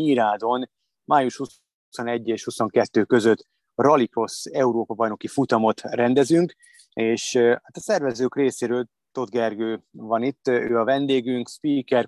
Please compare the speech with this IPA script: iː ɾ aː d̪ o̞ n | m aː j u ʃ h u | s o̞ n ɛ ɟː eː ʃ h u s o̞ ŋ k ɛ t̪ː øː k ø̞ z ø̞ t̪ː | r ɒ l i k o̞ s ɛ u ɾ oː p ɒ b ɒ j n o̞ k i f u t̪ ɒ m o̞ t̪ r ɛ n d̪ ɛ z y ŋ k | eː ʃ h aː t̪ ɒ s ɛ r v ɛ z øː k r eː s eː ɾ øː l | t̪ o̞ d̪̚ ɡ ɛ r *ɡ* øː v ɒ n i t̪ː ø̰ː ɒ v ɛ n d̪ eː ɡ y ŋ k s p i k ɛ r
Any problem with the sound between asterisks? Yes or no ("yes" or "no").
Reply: no